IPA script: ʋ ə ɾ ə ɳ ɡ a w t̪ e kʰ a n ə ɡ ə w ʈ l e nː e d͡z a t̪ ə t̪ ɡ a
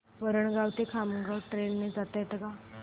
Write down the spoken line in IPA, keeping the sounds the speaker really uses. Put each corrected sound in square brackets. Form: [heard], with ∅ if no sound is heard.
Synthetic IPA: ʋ ə ɾ ə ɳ ɡ a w t̪ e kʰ a [m] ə ɡ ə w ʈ [ɾ] e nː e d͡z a t̪ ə t̪ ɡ a